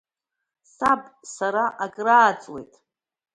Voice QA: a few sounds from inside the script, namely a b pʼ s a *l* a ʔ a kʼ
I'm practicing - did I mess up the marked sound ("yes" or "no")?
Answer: yes